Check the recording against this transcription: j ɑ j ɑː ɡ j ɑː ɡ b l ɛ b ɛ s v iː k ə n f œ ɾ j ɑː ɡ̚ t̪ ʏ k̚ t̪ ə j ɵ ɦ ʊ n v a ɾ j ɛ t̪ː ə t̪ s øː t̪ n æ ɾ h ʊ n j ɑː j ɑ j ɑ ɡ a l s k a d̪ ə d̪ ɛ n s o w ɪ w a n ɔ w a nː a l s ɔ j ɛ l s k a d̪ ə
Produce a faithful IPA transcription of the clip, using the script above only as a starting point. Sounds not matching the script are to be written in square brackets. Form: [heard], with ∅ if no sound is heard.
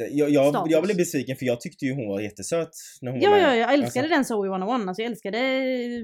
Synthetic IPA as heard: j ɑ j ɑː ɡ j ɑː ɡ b l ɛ b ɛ s v iː k ə n f œ ɾ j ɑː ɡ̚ [t̪ʰ] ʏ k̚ t̪ ə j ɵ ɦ ʊ n v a ɾ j ɛ t̪ː ə [∅] s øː t̪ n æ ɾ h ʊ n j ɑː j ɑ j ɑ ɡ [ɛ] l s k a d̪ ə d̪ ɛ n s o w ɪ w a n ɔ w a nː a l s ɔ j ɛ l s k a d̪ ə